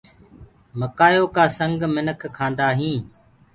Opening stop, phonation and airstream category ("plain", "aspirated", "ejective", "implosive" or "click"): plain